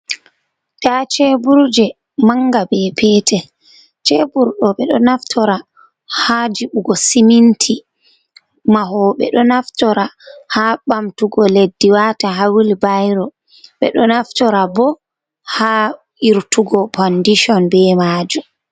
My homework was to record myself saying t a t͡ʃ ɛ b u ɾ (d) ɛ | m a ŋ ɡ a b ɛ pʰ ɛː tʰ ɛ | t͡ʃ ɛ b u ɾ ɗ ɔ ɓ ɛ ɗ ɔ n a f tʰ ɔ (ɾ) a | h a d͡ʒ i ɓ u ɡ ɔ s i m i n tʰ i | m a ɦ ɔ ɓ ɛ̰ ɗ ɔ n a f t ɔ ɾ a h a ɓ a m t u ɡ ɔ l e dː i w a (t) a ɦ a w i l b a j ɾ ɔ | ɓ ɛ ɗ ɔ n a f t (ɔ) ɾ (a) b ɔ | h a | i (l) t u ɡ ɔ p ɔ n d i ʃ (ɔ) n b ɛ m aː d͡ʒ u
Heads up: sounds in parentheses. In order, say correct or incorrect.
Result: incorrect: d͡ʒ, correct, correct, correct, correct, incorrect: ɾ, correct

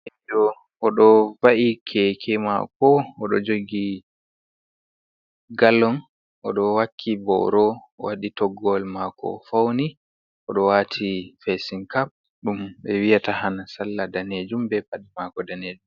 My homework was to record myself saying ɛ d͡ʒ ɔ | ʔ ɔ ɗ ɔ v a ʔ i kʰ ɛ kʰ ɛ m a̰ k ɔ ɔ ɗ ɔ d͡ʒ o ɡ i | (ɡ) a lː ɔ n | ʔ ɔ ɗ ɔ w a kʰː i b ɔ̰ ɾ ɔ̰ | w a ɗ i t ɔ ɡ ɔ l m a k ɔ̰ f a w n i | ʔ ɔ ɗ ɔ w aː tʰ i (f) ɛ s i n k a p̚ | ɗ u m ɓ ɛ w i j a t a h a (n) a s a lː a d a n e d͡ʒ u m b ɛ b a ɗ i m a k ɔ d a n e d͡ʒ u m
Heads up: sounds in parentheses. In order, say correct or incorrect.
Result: correct, correct, correct

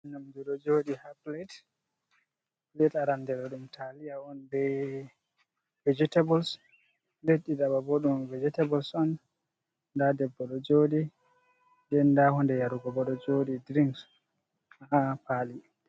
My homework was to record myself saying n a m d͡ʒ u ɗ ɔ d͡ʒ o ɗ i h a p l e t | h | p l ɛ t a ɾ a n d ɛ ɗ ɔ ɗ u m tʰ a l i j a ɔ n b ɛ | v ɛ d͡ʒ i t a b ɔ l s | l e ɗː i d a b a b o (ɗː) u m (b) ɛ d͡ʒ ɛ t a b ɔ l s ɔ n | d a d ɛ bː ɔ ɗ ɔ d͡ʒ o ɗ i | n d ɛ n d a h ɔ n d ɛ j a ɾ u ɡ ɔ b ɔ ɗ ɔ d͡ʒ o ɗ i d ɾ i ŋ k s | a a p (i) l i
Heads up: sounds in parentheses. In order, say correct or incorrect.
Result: incorrect: ɗ, incorrect: v, incorrect: a

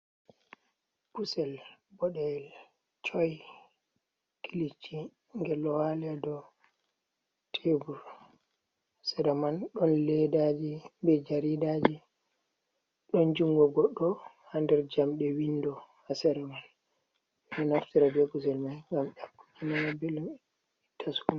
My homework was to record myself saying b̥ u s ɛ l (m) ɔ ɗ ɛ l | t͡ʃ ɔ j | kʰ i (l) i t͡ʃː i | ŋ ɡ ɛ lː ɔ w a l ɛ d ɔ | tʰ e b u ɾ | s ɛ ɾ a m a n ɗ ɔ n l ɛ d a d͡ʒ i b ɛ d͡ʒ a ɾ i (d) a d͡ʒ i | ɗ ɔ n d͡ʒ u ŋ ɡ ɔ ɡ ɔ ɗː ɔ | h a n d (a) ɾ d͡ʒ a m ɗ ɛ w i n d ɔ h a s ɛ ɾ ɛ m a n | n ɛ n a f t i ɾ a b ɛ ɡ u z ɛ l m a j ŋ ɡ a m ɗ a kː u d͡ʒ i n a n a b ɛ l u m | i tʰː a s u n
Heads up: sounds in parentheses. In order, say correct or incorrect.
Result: incorrect: b, correct, correct, incorrect: ɛ

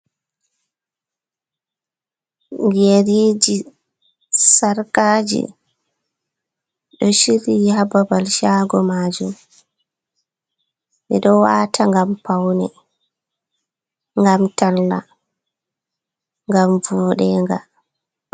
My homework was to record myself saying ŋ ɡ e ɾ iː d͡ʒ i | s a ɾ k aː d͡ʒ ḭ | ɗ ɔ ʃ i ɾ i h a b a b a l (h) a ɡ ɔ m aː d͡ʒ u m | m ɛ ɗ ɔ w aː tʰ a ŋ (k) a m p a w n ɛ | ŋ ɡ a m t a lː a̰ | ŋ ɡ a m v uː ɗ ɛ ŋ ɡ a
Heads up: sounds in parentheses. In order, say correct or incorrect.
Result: incorrect: ʃ, incorrect: ɡ

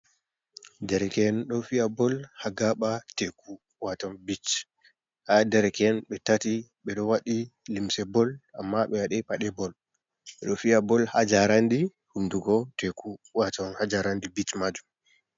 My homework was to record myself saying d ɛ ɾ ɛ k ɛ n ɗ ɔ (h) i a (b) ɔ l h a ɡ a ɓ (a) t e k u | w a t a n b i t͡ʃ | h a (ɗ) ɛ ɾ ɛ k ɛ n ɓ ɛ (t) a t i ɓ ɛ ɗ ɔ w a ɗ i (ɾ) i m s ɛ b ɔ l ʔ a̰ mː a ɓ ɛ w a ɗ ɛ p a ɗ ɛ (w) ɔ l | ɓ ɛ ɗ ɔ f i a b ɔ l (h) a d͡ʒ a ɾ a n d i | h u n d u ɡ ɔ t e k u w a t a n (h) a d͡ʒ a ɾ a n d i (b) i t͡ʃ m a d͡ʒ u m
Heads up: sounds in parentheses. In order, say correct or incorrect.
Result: incorrect: f, correct, correct, incorrect: d, correct, incorrect: l, incorrect: b, correct, correct, correct

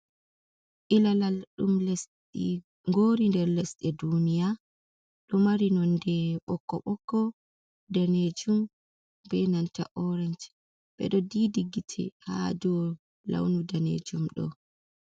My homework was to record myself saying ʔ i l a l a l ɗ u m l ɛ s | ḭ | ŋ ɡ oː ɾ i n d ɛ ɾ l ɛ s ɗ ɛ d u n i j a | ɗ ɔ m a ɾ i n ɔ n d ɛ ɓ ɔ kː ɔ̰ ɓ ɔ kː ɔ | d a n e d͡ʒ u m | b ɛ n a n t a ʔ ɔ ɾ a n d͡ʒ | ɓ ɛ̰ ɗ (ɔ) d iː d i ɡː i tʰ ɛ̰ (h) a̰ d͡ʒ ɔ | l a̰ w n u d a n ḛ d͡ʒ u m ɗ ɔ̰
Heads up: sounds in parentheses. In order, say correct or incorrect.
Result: correct, correct

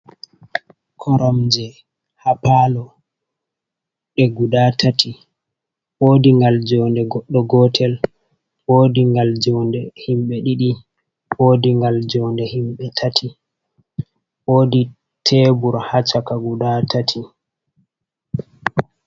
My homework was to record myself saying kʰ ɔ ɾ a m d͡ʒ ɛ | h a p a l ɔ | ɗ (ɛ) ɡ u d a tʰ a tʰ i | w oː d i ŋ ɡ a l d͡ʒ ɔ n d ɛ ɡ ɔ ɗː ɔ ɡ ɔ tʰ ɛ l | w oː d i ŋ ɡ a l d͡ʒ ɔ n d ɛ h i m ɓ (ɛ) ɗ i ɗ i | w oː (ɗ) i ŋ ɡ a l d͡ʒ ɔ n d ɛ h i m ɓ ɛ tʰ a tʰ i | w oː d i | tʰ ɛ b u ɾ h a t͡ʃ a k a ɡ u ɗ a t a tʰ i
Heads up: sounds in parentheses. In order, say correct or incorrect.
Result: correct, correct, incorrect: d

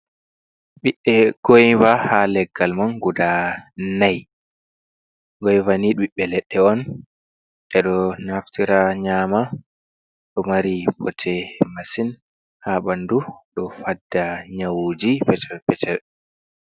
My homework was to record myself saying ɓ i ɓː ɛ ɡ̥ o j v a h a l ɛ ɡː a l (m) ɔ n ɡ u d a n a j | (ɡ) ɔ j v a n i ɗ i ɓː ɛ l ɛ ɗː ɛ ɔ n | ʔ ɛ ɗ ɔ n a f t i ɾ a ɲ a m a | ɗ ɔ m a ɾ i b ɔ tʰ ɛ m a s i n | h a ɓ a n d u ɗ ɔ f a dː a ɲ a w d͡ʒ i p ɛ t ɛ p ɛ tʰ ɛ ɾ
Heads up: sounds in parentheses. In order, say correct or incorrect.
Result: correct, correct

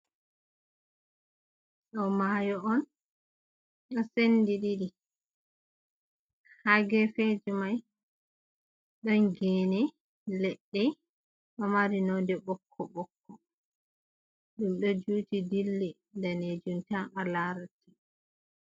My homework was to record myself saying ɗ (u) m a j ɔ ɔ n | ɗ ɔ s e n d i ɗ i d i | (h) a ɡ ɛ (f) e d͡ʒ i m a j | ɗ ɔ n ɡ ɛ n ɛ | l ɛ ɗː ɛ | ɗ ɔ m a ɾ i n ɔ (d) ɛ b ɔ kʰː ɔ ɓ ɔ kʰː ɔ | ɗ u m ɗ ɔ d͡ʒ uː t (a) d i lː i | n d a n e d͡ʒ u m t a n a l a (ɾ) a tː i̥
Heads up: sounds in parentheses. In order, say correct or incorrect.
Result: incorrect: ɔ, correct, correct, correct, incorrect: i, correct

